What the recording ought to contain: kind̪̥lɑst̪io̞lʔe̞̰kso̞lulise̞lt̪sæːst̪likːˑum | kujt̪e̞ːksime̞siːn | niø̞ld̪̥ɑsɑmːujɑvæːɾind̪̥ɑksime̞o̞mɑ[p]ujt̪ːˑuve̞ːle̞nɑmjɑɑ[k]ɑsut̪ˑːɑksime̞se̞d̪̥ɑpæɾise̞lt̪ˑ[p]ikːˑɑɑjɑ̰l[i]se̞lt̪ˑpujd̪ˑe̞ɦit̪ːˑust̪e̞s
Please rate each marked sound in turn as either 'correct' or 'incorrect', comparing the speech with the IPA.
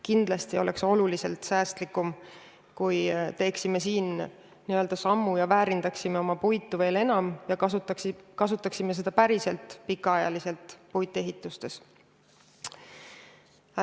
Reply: correct, correct, correct, correct

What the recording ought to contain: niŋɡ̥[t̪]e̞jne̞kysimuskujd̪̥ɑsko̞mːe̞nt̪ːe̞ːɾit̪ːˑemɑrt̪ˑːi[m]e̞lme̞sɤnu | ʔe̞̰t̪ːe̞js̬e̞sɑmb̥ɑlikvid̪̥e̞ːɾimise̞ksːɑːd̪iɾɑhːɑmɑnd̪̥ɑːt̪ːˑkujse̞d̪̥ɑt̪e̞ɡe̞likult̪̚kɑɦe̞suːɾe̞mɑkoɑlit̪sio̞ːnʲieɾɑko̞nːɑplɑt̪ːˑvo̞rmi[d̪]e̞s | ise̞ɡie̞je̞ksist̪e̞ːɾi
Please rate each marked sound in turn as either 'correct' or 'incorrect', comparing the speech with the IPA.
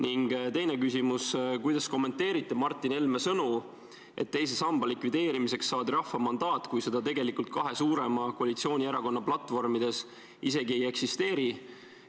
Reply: correct, incorrect: n, correct

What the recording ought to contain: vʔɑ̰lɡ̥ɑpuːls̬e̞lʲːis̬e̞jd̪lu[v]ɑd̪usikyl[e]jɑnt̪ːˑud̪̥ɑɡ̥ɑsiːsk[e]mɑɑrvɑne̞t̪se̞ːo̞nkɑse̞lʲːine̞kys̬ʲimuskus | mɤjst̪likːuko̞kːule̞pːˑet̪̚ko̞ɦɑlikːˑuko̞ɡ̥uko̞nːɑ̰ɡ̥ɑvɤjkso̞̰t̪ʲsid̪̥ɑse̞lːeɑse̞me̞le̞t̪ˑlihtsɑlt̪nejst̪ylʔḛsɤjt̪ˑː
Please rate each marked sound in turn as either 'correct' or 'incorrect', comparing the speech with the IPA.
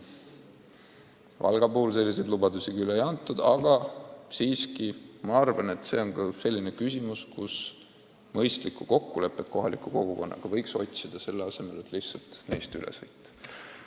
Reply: incorrect: b, correct, incorrect: i

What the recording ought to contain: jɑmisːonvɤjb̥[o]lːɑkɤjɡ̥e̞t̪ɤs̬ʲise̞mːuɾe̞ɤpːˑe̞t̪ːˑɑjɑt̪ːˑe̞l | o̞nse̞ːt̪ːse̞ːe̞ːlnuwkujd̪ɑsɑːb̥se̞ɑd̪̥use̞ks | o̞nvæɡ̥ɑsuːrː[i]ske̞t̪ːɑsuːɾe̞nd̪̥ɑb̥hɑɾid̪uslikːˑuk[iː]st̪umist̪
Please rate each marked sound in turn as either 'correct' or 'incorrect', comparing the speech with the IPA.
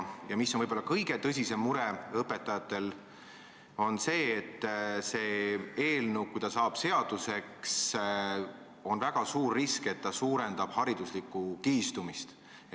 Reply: correct, correct, correct

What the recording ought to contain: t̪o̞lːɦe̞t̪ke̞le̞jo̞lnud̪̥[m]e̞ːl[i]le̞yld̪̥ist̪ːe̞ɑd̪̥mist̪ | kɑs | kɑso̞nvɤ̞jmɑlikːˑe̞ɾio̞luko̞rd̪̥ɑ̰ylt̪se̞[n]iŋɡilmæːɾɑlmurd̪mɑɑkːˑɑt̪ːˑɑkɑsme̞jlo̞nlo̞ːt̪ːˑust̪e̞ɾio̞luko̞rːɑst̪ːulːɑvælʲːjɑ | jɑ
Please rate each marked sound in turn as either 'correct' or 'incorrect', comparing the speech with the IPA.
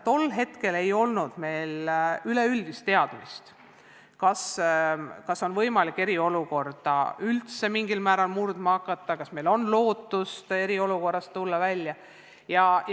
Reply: correct, incorrect: y, incorrect: m

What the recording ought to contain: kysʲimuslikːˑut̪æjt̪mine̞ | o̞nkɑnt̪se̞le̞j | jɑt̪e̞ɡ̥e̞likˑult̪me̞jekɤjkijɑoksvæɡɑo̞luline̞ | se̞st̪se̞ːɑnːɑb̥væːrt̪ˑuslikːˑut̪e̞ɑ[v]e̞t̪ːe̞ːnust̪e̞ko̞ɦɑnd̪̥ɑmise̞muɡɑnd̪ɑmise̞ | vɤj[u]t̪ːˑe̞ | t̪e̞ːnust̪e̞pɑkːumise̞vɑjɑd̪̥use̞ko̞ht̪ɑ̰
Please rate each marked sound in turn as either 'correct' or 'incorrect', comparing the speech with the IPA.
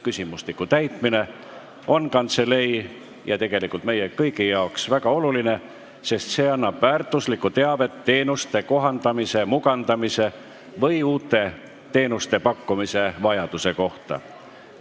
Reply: correct, incorrect: uː

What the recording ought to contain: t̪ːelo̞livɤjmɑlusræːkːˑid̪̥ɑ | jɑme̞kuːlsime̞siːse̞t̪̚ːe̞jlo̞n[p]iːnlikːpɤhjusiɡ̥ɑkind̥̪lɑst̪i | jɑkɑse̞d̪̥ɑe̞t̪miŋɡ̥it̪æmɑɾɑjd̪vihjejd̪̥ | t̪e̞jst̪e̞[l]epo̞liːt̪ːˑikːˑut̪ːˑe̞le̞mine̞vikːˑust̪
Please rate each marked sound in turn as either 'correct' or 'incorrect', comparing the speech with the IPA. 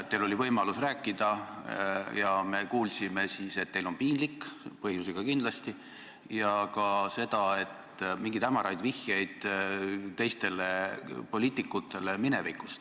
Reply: correct, correct

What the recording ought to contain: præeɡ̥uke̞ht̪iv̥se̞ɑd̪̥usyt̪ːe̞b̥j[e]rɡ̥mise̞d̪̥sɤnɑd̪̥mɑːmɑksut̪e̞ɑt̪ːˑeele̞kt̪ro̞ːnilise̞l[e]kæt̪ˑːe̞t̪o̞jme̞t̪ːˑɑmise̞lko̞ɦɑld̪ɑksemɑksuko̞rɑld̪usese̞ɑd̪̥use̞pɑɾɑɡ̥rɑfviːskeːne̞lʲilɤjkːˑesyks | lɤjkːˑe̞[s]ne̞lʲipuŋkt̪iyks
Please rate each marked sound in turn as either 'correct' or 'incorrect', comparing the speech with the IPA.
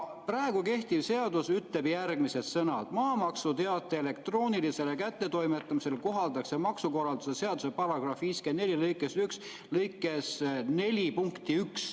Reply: incorrect: æ, correct, correct

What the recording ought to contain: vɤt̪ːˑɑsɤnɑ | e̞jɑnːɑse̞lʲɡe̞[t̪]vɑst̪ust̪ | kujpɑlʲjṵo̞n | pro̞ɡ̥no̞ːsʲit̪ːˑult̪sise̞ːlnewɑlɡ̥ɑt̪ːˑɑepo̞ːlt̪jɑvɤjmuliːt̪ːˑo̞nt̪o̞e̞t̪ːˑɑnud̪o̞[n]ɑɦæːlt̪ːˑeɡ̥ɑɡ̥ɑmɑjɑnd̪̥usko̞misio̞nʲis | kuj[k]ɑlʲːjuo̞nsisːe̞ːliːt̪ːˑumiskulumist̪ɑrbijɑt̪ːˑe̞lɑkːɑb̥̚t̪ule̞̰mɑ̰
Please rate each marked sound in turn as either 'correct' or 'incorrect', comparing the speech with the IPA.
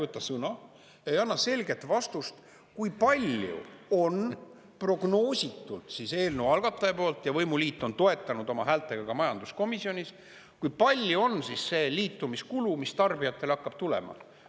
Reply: correct, incorrect: m, incorrect: p

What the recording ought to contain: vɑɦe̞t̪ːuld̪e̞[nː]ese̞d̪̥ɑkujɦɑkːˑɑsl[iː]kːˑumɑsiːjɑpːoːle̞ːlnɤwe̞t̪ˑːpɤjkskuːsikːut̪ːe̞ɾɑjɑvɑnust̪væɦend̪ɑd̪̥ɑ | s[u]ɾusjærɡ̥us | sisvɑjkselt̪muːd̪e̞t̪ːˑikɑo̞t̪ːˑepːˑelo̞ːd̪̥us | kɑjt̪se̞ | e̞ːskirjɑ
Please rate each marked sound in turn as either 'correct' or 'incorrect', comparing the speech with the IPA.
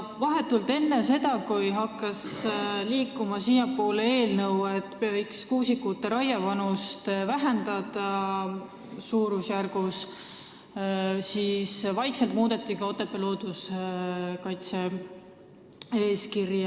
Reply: correct, correct, incorrect: uː

